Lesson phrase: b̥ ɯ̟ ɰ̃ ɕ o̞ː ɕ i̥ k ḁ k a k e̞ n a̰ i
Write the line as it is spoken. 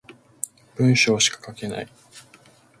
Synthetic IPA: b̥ ɯ̟̃ ɰ̃ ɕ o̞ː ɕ i̥ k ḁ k a k e̞ n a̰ i